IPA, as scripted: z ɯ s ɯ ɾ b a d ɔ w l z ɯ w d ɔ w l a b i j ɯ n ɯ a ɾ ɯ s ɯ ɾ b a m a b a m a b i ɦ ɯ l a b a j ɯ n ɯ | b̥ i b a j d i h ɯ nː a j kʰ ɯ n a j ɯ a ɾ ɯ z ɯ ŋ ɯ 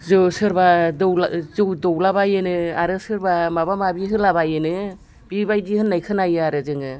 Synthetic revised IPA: z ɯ s ɯ ɾ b a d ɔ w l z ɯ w d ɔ w l a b a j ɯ n ɯ a ɾ ɯ s ɯ ɾ b a m a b a m a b i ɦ ɯ l a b a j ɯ n ɯ | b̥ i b a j d i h ɯ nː a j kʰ ɯ n a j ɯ a ɾ ɯ z ɯ ŋ ɯ